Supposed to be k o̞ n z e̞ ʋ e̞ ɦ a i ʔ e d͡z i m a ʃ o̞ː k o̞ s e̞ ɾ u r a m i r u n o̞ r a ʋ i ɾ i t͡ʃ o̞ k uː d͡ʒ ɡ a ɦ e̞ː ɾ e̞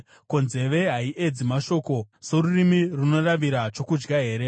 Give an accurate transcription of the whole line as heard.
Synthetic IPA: k o̞ n z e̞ ʋ e̞ ɦ a i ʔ e d͡z i m a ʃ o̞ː k o̞ s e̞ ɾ u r i m i r u n o̞ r a ʋ i ɾ a t͡ʃ o̞ k u d͡ʒ ɡ a ɦ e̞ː ɾ e̞